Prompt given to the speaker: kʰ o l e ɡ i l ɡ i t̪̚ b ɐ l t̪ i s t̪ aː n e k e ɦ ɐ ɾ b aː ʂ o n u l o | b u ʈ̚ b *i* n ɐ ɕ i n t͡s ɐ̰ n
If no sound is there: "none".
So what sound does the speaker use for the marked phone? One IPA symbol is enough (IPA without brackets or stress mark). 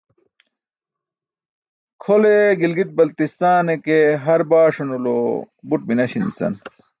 i